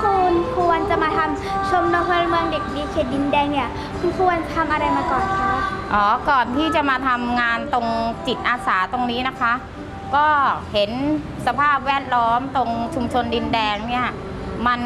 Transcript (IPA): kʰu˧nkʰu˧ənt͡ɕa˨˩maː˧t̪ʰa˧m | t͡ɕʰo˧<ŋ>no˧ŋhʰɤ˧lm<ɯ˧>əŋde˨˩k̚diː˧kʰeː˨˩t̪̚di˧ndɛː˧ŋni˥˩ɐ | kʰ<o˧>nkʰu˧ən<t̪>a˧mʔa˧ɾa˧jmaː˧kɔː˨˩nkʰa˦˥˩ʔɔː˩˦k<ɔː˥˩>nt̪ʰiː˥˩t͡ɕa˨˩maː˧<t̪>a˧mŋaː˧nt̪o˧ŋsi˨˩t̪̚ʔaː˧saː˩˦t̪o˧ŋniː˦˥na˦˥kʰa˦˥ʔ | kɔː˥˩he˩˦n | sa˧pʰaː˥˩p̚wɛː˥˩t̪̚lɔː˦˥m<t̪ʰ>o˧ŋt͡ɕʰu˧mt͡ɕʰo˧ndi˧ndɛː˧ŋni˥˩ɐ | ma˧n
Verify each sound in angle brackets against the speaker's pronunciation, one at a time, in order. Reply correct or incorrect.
incorrect: m, correct, incorrect: u˧, incorrect: t̪ʰ, incorrect: ɔː˨˩, incorrect: t̪ʰ, incorrect: t̪

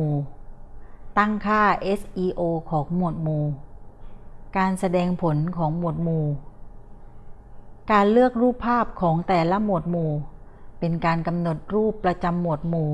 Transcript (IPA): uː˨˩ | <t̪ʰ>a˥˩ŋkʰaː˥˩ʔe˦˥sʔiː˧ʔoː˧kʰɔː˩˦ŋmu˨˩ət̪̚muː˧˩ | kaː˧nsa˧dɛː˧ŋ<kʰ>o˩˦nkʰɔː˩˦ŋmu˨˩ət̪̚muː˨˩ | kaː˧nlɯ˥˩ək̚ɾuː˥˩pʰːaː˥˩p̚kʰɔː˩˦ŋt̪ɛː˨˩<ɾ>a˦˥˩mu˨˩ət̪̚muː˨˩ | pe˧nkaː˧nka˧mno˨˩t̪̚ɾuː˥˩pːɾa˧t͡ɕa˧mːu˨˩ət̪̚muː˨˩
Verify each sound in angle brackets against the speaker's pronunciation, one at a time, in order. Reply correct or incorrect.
incorrect: t̪, incorrect: pʰ, incorrect: l

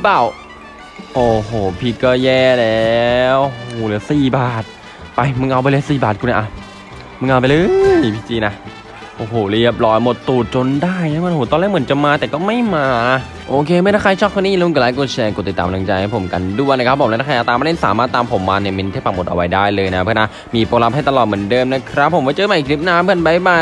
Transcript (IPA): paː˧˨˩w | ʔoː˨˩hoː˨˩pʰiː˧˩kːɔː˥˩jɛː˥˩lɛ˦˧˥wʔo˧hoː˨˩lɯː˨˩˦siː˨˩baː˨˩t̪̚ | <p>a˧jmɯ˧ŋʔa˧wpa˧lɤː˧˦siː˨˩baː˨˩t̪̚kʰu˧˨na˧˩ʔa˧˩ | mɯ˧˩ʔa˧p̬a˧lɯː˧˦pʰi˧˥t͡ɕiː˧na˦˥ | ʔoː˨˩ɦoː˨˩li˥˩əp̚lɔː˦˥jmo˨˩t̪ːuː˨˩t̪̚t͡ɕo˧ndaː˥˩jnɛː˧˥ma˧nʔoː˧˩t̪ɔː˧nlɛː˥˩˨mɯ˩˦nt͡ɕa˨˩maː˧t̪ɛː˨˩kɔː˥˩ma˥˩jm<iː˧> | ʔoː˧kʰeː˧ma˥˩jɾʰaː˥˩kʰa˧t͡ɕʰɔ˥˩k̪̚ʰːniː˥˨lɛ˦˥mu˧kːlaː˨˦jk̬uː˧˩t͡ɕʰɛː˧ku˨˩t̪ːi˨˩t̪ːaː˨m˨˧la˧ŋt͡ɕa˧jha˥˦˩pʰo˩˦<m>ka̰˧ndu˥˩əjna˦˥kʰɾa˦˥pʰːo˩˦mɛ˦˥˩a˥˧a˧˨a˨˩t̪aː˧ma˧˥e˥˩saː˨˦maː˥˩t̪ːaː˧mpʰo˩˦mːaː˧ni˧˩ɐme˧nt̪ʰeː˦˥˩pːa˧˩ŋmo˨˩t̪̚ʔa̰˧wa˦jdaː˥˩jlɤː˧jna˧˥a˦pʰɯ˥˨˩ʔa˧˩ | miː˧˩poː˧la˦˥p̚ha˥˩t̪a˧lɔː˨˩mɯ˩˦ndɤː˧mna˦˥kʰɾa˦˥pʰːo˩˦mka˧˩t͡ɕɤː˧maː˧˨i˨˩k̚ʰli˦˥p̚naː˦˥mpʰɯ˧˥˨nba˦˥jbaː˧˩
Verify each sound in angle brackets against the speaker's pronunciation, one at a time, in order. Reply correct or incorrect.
correct, incorrect: aː˧, correct

